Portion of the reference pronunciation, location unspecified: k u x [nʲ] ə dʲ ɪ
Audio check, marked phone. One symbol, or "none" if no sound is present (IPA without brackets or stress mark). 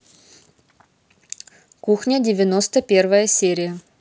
nʲ